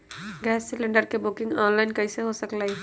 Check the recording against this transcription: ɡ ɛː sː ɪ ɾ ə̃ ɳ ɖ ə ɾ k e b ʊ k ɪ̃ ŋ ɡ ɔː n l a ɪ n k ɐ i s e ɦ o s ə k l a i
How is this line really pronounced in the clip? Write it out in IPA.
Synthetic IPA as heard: ɡ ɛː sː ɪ l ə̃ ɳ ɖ ə ɾ k e b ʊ k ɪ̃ ŋ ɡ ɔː n l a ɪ n k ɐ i s e ɦ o s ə k l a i